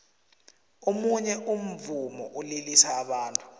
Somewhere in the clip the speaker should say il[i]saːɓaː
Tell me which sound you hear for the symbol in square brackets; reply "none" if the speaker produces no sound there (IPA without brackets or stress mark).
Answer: i